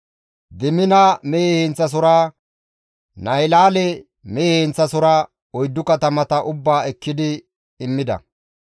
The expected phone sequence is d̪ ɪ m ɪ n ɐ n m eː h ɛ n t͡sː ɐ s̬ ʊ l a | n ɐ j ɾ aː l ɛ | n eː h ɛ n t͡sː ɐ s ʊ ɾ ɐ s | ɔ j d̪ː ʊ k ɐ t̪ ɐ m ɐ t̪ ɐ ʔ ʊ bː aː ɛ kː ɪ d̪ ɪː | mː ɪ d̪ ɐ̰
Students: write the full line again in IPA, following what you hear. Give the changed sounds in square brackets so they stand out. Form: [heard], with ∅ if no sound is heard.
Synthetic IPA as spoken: d̪ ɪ m ɪ n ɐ [∅] m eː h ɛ n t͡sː ɐ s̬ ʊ [ɾ] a | n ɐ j [l] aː l ɛ | [m] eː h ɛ n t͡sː ɐ s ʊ ɾ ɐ [∅] | ɔ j d̪ː ʊ k ɐ t̪ ɐ m ɐ t̪ ɐ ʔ ʊ bː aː ɛ kː ɪ d̪ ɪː | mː ɪ d̪ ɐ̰